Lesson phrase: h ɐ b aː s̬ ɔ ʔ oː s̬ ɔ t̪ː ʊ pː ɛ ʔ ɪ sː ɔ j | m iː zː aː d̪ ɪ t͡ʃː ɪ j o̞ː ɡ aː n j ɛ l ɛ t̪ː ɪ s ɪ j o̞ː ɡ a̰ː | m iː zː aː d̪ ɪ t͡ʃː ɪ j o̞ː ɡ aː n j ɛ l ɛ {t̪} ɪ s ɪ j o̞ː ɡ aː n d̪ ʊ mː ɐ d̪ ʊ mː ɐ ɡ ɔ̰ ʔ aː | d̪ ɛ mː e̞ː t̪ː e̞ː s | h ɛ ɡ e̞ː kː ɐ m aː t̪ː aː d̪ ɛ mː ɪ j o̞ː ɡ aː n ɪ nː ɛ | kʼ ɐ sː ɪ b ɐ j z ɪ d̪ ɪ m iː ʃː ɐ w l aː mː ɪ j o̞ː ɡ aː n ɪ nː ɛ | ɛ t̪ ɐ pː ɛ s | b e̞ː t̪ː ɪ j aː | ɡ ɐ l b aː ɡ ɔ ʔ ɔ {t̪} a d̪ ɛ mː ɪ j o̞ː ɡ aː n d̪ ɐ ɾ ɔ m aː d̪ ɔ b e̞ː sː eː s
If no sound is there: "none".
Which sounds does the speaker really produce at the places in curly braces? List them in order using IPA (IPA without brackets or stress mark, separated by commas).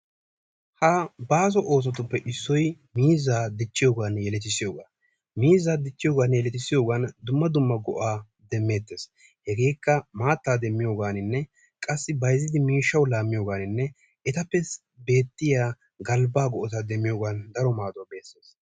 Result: t̪, t̪